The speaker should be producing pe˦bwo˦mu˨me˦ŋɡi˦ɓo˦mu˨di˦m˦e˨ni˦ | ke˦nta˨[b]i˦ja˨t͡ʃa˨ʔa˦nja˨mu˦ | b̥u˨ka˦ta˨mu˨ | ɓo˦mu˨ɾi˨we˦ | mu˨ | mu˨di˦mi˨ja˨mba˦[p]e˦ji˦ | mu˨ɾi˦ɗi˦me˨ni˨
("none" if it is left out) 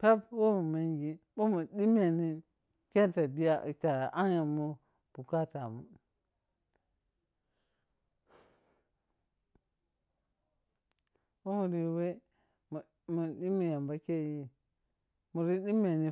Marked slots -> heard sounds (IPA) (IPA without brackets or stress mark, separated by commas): b, k